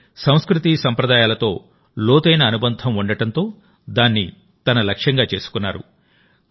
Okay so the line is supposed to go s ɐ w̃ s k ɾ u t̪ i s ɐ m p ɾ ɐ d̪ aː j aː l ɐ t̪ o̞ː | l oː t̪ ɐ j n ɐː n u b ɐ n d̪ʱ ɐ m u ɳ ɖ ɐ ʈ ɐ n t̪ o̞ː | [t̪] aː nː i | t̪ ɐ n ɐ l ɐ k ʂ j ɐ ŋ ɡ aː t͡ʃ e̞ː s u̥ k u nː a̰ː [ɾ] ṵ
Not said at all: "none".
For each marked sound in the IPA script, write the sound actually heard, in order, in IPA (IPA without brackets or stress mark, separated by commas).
d̪, ɾ